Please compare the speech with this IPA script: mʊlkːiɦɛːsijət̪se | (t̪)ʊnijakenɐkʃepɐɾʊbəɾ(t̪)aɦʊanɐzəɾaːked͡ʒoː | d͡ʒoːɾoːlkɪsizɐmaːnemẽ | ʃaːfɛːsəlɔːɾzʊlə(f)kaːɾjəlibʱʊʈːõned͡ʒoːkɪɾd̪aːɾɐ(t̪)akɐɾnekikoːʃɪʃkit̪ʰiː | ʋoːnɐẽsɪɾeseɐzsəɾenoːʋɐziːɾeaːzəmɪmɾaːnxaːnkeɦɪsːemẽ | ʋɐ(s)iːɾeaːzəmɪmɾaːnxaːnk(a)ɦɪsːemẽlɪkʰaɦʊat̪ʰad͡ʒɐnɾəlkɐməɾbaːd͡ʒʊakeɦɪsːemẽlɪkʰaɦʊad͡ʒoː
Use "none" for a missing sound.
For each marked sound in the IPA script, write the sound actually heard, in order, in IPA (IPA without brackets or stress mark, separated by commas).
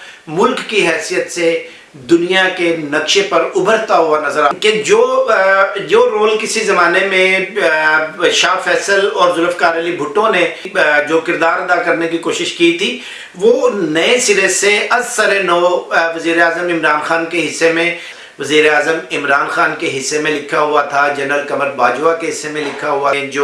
d̪, t̪, f, d̪, z, e